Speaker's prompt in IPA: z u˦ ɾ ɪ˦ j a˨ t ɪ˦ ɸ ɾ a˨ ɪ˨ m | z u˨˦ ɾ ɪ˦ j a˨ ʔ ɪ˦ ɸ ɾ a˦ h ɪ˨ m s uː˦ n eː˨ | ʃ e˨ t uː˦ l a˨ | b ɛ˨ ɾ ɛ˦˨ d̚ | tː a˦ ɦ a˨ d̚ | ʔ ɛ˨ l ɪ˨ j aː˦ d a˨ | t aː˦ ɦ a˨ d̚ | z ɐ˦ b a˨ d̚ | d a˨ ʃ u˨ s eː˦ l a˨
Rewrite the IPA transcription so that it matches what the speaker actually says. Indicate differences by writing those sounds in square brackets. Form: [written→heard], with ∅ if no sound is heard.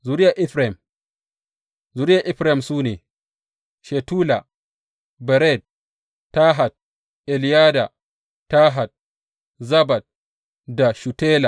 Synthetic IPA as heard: z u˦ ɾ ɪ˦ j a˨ [t→ʔ] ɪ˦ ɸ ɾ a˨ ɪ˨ m | z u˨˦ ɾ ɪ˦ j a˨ ʔ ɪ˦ ɸ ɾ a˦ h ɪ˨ m s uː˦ n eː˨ | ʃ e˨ t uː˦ l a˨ | b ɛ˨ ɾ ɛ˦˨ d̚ | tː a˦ ɦ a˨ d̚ | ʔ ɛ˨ l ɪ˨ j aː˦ d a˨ | t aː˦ ɦ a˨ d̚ | z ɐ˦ b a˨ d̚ | d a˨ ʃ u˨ [s→t] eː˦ l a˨